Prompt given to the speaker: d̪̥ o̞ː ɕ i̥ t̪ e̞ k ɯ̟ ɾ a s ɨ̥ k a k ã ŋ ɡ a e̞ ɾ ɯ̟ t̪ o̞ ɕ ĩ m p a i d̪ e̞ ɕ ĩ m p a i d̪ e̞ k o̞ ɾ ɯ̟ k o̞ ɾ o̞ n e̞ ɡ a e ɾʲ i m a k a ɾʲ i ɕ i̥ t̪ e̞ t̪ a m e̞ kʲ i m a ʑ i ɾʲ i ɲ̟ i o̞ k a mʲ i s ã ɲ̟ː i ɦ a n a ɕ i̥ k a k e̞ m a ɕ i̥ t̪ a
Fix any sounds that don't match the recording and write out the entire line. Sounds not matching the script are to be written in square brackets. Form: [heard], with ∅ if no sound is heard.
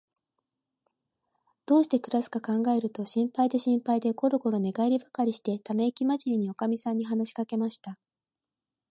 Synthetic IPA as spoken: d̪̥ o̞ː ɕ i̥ t̪ e̞ k ɯ̟ ɾ a s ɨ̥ k a k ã ŋ ɡ a e̞ ɾ ɯ̟ t̪ o̞ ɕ ĩ m p a i d̪ e̞ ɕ ĩ m p a i d̪ e̞ k o̞ ɾ ɯ̟ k o̞ ɾ o̞ n e̞ ɡ a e ɾʲ i [b] a k a ɾʲ i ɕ i̥ t̪ e̞ t̪ a m e̞ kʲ i m a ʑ i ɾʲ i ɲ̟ i o̞ k a mʲ i s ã ɲ̟ː i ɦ a n a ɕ i̥ k a k e̞ m a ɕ i̥ t̪ a

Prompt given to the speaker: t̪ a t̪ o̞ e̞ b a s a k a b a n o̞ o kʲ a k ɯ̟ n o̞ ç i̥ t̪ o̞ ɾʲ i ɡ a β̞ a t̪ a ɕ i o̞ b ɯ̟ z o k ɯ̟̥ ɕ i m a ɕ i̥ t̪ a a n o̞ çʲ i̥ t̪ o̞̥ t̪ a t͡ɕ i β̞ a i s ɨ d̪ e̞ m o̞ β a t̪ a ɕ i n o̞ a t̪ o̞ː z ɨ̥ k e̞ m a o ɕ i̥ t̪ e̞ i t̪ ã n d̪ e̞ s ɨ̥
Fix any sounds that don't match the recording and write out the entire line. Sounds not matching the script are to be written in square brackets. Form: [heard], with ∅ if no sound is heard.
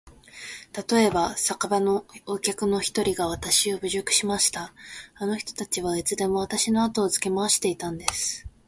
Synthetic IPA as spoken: t̪ a t̪ o̞ e̞ b a s a k a b a n o̞ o kʲ a k ɯ̟ n o̞ ç i̥ t̪ o̞ ɾʲ i ɡ a β̞ a t̪ a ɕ i o̞ b ɯ̟ [ʑ] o k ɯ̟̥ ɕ i m a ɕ i̥ t̪ a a n o̞ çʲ i̥ t̪ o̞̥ t̪ a t͡ɕ i β̞ a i [t͡s] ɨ d̪ e̞ m o̞ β a t̪ a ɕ i n o̞ a t̪ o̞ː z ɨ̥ k e̞ m a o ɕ i̥ t̪ e̞ i t̪ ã n d̪ e̞ s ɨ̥

